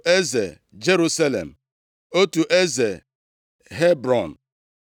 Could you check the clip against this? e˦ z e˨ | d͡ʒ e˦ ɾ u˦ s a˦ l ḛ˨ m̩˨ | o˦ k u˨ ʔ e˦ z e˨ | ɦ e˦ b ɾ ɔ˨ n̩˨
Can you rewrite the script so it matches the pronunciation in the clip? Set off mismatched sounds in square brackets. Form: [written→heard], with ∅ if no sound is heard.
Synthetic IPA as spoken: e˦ z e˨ | d͡ʒ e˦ ɾ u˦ s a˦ l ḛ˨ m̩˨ | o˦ [k→t] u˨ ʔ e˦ z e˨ | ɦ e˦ b ɾ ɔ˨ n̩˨

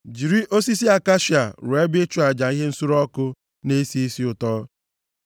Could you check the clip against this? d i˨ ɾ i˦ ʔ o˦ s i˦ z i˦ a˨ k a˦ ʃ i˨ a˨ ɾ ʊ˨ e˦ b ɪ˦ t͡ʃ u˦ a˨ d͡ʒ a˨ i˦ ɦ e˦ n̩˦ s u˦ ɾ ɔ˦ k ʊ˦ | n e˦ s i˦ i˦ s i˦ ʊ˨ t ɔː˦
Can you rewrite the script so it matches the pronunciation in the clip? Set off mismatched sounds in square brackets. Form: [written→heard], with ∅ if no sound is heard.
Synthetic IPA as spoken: [d→d͡ʒ] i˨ ɾ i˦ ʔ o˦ s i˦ [z→s] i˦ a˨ k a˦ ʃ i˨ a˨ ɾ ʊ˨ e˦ b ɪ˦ t͡ʃ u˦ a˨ d͡ʒ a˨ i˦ ɦ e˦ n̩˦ s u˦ ɾ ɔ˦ k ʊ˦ | n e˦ s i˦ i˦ s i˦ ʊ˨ t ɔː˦

